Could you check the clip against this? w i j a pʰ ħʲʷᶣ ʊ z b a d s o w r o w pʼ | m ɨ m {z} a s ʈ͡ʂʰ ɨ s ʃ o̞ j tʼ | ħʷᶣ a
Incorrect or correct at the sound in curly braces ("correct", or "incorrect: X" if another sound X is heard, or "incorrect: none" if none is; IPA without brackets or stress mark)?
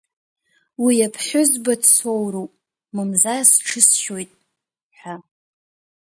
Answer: correct